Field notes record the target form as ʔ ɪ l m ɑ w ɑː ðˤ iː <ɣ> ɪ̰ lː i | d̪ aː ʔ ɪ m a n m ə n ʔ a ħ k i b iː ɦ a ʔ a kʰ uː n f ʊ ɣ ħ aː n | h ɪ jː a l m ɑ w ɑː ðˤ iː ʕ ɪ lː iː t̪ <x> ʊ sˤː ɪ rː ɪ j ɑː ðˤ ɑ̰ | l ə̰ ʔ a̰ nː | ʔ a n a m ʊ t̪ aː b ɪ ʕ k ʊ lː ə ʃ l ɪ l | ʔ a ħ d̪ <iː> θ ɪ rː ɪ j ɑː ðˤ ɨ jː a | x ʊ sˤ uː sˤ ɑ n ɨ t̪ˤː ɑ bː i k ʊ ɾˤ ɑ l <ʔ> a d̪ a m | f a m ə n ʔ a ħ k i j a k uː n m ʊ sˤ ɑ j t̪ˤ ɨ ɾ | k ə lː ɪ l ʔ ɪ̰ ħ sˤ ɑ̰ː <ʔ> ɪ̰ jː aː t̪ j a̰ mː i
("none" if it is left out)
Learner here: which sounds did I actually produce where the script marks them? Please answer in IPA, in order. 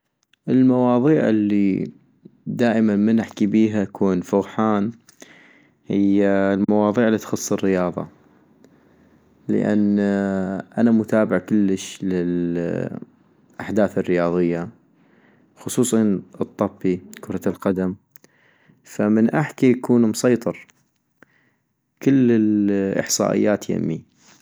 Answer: ʕ, x, aː, q, ʔ

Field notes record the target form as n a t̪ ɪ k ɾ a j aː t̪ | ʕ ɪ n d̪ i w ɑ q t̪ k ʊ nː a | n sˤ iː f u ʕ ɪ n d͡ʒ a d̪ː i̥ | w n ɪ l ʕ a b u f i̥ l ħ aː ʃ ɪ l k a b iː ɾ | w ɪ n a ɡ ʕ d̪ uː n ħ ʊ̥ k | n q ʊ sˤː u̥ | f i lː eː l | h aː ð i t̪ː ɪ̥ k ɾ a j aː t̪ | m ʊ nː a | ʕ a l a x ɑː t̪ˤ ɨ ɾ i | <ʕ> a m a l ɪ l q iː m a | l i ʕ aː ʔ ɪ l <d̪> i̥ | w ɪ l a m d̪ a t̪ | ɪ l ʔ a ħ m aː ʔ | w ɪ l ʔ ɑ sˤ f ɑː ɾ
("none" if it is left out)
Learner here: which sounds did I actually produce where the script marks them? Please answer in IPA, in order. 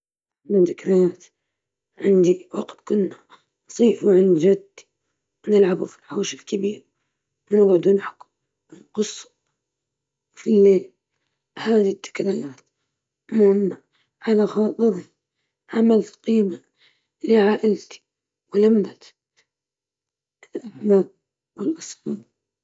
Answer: ʕ, t̪

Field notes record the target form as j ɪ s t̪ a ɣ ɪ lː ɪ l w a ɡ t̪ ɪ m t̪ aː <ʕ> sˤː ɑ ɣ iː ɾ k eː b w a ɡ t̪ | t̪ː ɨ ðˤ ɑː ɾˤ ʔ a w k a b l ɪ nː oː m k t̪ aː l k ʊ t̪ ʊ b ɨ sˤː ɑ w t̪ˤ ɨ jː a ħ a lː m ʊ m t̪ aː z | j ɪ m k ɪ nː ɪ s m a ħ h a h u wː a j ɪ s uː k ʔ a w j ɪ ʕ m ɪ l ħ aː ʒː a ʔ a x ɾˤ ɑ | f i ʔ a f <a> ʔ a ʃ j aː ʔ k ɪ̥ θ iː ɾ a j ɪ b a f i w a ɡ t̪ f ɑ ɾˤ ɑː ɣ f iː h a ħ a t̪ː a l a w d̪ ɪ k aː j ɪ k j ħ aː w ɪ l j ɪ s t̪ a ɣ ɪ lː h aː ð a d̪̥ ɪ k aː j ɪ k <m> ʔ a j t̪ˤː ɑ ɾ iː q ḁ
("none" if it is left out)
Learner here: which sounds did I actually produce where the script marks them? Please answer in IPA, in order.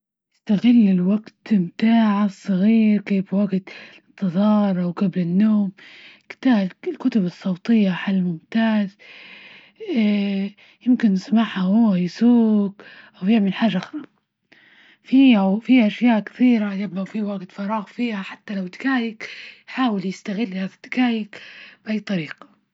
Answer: ʕ, i, b

